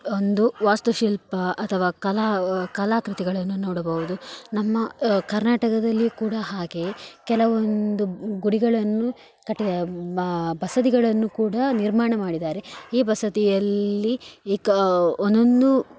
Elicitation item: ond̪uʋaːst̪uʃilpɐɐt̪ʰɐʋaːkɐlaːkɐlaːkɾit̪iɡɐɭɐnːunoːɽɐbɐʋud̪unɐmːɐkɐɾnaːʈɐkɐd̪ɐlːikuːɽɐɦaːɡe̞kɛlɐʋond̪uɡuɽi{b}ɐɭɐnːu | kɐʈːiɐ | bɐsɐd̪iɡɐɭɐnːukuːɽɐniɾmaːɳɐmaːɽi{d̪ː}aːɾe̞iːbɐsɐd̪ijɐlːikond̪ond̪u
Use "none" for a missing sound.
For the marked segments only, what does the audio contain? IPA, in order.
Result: ɡ, d̪

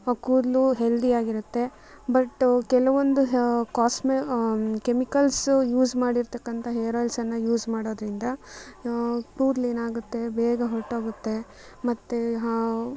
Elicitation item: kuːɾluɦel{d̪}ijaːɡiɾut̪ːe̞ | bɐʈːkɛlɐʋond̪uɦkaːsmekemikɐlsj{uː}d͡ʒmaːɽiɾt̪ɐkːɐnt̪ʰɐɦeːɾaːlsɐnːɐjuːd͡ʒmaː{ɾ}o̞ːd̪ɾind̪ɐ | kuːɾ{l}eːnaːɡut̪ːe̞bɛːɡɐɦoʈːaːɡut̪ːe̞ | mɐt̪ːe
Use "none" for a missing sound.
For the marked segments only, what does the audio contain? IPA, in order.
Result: d̪, uː, ɽ, l

